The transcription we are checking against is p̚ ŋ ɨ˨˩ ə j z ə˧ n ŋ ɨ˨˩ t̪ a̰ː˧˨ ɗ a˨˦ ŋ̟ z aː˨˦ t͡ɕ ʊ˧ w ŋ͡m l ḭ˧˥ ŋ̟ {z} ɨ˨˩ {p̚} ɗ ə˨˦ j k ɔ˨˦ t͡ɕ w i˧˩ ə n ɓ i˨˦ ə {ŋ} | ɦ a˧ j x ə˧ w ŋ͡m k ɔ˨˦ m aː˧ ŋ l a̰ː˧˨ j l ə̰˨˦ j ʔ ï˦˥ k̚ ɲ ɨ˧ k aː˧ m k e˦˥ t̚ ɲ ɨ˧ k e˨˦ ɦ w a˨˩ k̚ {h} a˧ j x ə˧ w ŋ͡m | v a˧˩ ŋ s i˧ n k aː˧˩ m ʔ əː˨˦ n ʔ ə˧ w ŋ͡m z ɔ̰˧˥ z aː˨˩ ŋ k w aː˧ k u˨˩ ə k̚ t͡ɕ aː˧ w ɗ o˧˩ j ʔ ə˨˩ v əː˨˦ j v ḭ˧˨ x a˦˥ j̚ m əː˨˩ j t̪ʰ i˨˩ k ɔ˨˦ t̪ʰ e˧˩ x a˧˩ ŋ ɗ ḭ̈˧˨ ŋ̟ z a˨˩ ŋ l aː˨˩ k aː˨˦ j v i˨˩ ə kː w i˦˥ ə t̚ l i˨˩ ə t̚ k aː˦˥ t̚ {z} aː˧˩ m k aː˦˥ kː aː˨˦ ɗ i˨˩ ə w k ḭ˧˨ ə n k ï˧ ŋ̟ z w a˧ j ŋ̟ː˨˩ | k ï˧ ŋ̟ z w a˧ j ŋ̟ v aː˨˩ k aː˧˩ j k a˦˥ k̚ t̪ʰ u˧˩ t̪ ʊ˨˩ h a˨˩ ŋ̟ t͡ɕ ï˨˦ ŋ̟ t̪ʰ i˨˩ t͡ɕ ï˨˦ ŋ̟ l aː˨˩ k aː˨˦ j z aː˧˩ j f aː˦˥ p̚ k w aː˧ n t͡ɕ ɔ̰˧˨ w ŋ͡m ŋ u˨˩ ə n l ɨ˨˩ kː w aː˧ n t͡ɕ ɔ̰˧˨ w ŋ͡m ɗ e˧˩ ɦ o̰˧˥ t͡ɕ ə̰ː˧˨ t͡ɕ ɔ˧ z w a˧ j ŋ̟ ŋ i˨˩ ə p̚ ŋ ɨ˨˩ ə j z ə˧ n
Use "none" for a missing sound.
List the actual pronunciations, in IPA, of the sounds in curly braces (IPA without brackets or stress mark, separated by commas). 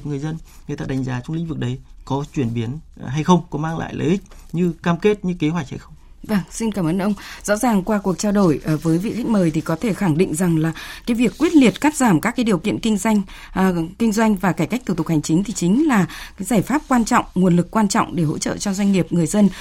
v, k̚, n, h, z